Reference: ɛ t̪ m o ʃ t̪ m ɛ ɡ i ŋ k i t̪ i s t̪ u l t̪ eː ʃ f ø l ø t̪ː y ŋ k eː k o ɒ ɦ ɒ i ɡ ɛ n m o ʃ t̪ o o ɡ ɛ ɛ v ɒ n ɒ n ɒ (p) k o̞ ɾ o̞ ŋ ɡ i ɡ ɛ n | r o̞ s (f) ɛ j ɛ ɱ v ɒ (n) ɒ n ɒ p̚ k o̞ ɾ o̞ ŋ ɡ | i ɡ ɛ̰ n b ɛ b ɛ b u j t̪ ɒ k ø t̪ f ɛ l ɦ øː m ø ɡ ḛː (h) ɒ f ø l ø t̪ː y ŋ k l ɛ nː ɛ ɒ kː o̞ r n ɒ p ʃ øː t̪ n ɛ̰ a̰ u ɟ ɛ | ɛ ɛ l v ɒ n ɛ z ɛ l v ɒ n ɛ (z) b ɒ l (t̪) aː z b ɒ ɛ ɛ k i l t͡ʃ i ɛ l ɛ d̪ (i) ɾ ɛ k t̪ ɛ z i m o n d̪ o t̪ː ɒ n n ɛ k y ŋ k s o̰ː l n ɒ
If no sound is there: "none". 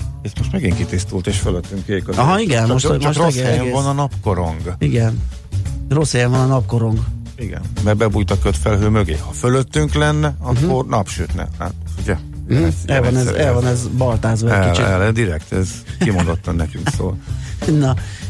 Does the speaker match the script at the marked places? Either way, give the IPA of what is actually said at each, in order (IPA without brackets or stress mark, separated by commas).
p, h, n, h, z, t̪, i